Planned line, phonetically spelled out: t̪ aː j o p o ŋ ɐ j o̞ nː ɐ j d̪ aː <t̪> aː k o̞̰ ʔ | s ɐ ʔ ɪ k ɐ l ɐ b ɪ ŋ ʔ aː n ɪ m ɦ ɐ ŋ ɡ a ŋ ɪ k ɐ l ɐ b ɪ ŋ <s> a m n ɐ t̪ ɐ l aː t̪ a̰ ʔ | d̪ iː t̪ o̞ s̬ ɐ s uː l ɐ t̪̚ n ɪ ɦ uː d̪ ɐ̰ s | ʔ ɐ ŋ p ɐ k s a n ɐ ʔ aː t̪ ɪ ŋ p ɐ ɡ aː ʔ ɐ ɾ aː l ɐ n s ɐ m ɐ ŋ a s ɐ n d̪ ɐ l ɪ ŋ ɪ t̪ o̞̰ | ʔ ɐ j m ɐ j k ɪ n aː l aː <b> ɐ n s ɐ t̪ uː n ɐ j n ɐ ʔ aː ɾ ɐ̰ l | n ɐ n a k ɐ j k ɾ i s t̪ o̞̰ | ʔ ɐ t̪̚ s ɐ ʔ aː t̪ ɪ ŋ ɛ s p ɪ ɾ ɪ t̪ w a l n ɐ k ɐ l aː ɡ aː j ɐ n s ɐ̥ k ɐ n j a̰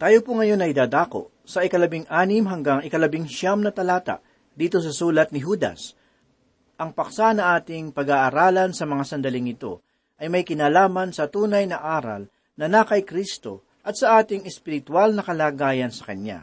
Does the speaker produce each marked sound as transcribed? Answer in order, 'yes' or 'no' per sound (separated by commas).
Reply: no, no, no